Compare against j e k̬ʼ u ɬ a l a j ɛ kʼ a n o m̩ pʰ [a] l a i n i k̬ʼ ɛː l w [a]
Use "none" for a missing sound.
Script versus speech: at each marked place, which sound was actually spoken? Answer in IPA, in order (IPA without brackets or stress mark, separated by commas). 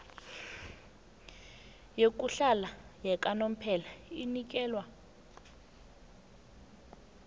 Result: ɛ, a